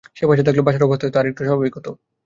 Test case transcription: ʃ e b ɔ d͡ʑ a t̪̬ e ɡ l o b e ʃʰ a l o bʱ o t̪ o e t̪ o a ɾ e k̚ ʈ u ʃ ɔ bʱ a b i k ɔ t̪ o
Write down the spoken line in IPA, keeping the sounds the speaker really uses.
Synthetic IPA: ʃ e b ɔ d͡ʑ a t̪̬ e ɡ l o b a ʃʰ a ɾ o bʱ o t̪ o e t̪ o a ɾ e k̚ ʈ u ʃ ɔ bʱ a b i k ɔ t̪ o